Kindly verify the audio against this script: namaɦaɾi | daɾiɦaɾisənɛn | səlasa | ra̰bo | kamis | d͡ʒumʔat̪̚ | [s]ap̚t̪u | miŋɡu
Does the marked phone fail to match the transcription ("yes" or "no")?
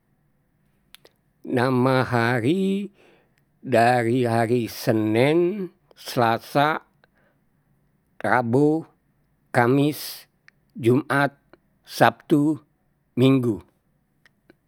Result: no